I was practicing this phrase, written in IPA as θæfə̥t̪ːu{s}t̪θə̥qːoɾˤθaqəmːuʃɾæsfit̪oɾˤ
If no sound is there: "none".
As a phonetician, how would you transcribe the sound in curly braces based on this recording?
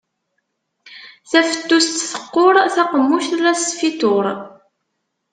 s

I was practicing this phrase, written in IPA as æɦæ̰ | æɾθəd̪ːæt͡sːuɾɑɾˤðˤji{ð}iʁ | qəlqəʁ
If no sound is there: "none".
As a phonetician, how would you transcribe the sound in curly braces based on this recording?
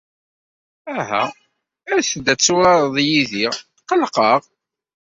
ð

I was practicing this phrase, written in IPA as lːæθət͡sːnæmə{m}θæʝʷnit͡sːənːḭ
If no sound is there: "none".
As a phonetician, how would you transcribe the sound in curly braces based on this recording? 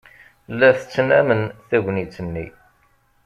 n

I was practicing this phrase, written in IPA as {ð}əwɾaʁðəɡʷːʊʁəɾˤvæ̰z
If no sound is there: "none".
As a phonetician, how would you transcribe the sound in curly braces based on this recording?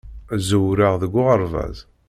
z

